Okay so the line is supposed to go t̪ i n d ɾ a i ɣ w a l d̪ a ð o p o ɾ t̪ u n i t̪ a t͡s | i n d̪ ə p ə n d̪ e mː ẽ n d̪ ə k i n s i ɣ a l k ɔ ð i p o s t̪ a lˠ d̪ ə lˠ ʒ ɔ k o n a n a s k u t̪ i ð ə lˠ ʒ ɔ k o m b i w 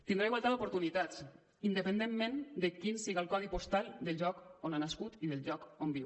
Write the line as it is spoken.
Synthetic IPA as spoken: t̪ i n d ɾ a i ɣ w a l t̪ a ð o p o ɾ t̪ u n i t̪ a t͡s | i n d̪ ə p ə n d̪ e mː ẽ n d̪ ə k i n s i ɣ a l k ɔ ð i p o s t̪ a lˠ d̪ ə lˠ ʒ ɔ k o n a n a s k u t̪ i ð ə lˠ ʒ ɔ k o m b i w